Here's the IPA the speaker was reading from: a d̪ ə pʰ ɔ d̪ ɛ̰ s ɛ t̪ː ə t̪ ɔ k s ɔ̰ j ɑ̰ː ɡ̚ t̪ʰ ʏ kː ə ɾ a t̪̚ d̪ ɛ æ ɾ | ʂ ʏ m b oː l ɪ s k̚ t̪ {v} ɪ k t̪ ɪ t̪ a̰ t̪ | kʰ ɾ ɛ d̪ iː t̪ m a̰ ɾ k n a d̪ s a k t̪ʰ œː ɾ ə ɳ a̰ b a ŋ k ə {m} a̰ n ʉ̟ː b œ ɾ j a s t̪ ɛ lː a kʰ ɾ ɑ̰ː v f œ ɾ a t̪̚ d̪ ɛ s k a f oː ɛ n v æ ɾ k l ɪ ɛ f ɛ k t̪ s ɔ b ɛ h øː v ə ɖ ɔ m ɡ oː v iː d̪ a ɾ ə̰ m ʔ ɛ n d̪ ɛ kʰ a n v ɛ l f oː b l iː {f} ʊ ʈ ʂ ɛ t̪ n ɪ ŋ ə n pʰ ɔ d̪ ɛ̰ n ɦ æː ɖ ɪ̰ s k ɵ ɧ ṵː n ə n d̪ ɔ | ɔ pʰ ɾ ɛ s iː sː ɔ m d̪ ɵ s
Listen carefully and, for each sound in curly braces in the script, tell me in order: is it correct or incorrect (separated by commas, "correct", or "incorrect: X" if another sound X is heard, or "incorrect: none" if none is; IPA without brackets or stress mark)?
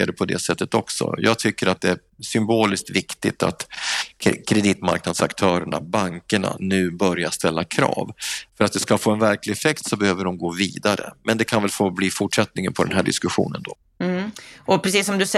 correct, incorrect: ɳ, correct